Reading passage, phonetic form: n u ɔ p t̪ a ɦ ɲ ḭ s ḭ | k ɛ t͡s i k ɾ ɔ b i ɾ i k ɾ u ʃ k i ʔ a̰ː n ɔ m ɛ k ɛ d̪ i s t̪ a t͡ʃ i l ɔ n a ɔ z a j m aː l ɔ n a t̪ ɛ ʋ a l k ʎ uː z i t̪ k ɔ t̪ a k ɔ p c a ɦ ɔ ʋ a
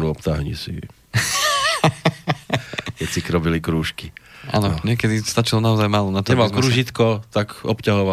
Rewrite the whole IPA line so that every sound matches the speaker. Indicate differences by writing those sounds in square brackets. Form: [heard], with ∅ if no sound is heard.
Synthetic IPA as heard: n u ɔ p t̪ a ɦ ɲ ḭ s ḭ | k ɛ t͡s i k ɾ ɔ b i [l] i k ɾ [uː] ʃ k i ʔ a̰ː n ɔ [ɲ] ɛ k ɛ d̪ i s t̪ a t͡ʃ i l ɔ n a ɔ z a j m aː l ɔ n a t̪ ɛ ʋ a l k [ɾ] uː [ʒ] i t̪ k ɔ t̪ a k ɔ p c a ɦ ɔ ʋ a